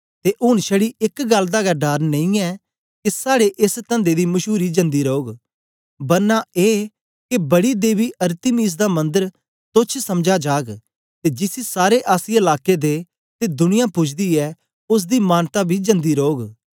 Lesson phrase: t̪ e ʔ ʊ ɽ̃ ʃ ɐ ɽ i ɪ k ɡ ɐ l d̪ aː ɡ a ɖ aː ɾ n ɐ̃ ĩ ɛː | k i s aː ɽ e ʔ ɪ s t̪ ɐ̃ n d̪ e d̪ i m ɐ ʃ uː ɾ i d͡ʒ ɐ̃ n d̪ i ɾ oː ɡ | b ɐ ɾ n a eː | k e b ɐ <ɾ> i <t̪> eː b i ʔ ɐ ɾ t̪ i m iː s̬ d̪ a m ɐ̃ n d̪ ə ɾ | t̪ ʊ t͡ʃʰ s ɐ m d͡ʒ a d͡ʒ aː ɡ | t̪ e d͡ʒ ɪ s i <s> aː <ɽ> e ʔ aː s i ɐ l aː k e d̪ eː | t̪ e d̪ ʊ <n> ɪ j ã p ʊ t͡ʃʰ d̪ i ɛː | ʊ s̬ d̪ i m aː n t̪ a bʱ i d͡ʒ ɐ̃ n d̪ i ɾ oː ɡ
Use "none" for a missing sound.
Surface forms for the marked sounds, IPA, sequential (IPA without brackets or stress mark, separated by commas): ɽ, d̪, s, ɾ, n